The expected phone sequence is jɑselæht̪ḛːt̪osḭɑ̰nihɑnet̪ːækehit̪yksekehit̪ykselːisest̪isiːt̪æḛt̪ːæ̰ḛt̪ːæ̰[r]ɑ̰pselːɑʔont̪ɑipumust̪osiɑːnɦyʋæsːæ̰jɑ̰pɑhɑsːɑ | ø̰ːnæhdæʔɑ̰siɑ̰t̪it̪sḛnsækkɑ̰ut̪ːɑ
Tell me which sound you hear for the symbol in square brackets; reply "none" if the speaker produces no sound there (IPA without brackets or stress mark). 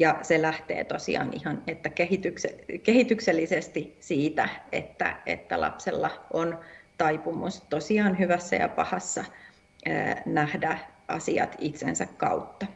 l